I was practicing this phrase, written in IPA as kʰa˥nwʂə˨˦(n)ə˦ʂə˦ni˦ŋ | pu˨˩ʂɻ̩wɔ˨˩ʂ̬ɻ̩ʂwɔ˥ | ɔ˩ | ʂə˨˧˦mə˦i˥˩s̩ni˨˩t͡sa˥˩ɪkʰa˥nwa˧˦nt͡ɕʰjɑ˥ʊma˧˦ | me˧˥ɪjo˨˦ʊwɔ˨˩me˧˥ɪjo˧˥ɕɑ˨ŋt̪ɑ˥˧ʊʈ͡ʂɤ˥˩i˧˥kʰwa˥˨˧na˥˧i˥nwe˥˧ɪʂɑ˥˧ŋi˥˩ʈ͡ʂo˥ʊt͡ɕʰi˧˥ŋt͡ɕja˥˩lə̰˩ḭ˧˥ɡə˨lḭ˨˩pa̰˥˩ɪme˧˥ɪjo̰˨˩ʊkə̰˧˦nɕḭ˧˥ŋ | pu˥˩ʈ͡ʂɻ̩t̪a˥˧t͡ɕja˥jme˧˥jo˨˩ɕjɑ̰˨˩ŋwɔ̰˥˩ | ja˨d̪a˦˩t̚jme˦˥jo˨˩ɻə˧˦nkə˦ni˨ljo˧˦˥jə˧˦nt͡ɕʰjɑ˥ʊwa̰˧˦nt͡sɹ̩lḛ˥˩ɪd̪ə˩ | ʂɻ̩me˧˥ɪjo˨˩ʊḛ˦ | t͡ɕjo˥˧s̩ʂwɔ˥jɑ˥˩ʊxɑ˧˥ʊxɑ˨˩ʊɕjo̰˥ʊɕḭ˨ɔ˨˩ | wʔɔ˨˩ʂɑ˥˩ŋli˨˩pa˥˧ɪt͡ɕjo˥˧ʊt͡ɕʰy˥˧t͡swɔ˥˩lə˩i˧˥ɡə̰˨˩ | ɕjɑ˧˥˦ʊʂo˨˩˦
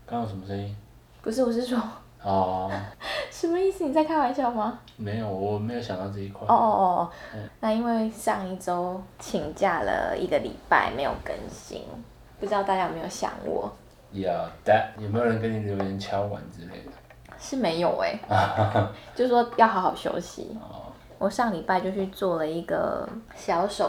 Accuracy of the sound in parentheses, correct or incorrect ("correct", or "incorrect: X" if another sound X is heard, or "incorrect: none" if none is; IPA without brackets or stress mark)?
incorrect: m